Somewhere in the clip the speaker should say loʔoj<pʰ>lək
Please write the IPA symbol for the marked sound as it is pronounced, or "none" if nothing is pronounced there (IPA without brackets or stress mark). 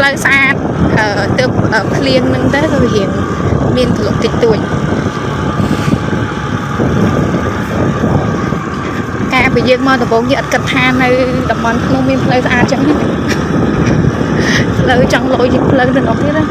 pʰ